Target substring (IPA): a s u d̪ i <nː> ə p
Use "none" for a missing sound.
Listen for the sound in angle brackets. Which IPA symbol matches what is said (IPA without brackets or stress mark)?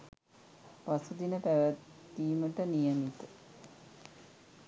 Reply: n